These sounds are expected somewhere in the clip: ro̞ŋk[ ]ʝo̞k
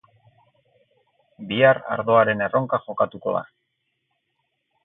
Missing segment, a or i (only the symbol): a